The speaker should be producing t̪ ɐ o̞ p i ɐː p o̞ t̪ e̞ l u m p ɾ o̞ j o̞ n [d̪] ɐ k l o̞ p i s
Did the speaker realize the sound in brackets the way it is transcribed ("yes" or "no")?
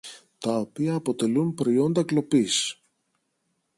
yes